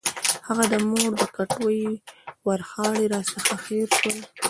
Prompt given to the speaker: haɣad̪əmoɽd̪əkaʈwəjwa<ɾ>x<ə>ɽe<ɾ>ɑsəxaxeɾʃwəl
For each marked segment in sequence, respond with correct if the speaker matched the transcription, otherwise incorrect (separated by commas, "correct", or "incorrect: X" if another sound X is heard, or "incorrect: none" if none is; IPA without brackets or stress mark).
correct, incorrect: ɑ, correct